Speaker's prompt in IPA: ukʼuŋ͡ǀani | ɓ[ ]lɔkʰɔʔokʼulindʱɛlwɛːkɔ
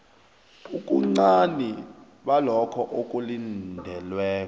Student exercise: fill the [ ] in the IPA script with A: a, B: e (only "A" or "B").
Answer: A